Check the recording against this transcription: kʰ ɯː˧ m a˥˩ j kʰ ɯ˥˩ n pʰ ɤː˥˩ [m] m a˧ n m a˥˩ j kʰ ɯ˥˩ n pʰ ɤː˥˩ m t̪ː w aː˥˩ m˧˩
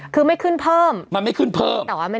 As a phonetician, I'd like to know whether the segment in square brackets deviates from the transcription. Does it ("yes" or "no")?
no